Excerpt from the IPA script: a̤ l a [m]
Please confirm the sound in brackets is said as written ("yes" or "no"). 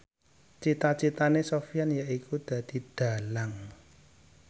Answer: no